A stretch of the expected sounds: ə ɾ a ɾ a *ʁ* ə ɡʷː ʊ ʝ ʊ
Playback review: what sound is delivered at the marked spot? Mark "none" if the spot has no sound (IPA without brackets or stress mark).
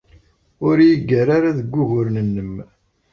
ð